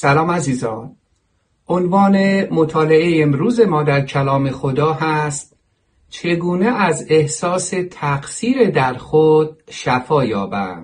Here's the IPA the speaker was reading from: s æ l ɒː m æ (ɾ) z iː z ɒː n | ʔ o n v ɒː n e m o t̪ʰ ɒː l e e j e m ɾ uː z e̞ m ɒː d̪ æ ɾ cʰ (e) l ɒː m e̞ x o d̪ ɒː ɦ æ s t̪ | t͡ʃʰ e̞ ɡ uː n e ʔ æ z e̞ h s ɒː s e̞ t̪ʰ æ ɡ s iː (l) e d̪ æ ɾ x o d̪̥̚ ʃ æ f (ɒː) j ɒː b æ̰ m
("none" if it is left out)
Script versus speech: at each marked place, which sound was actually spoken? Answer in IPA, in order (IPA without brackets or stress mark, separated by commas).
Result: none, æ, ɾ, ɒː